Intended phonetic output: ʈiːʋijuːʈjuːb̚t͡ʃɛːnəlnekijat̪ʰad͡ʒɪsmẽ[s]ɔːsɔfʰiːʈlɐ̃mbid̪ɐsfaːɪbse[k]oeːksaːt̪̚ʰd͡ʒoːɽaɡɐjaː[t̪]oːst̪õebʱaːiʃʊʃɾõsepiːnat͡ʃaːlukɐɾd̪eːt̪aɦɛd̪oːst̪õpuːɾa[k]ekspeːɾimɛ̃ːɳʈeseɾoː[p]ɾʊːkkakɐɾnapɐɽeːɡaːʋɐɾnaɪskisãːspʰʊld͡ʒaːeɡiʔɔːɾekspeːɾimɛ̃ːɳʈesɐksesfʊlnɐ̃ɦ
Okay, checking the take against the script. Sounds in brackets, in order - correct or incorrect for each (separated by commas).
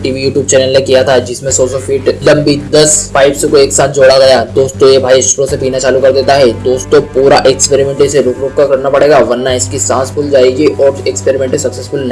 correct, correct, incorrect, incorrect, incorrect